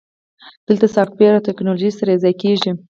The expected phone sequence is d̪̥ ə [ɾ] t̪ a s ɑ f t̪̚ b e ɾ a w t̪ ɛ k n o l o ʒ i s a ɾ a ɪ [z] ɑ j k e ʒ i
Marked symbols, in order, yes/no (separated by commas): no, yes